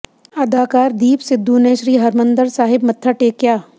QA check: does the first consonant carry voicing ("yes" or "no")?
yes